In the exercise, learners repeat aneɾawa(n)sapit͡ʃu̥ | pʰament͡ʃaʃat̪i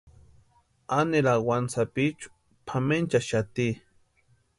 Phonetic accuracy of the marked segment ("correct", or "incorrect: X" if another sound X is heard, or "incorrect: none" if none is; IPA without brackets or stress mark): correct